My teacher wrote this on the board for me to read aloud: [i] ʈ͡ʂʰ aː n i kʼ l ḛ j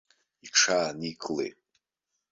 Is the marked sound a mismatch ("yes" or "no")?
no